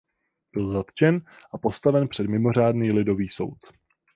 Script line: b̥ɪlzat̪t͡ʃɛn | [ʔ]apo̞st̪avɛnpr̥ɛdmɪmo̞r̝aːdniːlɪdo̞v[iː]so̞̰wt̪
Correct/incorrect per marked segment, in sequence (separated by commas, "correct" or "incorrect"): correct, correct